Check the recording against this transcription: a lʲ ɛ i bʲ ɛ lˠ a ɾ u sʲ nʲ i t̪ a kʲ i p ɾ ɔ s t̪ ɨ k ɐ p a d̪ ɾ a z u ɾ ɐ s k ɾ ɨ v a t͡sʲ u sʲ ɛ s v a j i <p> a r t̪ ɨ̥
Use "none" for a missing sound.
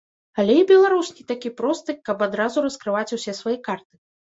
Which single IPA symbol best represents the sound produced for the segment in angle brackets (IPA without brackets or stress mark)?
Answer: k